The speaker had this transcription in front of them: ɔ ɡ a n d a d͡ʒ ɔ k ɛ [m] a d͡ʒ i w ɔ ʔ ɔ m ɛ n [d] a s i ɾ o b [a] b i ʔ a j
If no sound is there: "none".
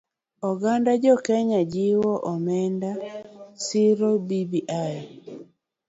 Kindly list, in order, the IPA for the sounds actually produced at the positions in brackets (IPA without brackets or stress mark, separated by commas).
ɲ, d, i